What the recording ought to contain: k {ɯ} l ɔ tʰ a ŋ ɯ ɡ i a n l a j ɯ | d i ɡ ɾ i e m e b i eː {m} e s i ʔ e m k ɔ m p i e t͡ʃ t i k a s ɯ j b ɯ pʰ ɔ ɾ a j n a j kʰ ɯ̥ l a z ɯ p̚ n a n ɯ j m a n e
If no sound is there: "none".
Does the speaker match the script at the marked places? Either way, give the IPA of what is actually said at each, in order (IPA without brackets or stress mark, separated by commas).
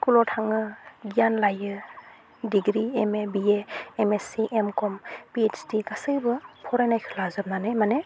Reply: u, m